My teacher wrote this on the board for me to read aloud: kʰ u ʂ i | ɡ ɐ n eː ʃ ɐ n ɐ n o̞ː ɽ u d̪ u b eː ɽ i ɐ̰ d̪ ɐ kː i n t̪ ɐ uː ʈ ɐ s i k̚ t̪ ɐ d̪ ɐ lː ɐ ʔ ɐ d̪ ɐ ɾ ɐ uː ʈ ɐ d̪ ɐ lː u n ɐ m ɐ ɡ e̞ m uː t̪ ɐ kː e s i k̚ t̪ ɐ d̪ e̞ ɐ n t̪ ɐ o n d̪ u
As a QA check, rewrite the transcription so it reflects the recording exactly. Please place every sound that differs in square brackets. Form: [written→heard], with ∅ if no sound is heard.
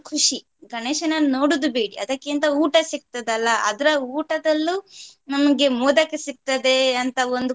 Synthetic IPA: kʰ u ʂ i | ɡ ɐ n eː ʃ ɐ n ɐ n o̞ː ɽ u d̪ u b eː ɽ i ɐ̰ d̪ ɐ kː i n t̪ ɐ uː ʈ ɐ s i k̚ t̪ ɐ d̪ ɐ lː ɐ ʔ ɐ d̪ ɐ ɾ ɐ uː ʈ ɐ d̪ ɐ lː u n ɐ m ɐ ɡ e̞ m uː [t̪→d̪] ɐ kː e s i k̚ t̪ ɐ d̪ e̞ ɐ n t̪ ɐ o n d̪ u